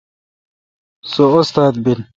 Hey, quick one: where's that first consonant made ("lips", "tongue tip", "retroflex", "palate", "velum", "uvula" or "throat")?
tongue tip